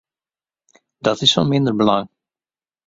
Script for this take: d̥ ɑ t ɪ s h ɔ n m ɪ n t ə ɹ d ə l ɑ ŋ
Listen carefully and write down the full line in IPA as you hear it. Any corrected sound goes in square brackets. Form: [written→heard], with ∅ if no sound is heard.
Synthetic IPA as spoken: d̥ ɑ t ɪ s [h→f] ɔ n m ɪ n [t→d] ə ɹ [d→b] ə l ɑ ŋ